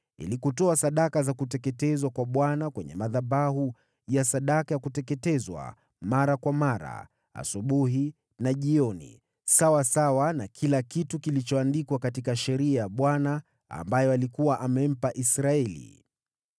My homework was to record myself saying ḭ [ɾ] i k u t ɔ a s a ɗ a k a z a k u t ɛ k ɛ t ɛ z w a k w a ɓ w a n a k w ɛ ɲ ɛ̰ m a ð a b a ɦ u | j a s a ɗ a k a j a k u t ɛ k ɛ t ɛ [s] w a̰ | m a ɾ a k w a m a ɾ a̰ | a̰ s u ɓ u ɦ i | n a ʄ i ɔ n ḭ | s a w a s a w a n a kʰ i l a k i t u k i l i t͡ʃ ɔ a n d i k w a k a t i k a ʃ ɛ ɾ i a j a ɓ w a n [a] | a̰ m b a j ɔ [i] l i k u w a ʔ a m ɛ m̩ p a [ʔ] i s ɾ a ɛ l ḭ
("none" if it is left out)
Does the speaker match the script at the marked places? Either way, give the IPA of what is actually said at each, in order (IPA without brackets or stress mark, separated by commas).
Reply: l, z, a, a, ʔ